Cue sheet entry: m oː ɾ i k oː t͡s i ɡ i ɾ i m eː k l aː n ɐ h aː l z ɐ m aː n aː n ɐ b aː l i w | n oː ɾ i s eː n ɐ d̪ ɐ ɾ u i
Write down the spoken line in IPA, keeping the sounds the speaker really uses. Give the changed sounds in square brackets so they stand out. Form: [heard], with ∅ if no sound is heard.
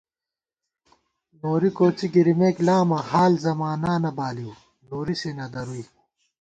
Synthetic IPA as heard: [n] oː ɾ i k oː t͡s i ɡ i ɾ i m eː k l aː [m] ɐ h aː l z ɐ m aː n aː n ɐ b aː l i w | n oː ɾ i s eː n ɐ d̪ ɐ ɾ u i